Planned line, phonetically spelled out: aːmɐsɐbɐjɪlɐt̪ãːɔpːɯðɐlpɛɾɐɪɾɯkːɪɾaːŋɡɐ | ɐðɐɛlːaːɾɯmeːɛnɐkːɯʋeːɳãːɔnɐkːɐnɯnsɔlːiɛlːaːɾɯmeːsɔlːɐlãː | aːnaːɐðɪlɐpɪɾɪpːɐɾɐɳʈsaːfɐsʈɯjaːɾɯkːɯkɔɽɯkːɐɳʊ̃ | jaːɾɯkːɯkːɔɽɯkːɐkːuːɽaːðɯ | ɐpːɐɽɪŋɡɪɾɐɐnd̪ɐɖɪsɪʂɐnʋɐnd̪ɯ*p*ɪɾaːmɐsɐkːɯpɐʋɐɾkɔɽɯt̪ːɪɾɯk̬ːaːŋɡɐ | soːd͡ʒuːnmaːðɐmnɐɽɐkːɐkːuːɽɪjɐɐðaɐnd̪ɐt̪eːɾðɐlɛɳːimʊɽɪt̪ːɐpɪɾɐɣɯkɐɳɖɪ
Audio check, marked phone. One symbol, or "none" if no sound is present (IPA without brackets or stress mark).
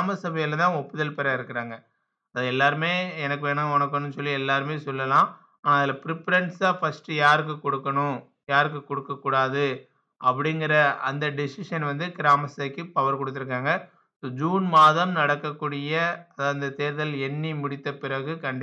k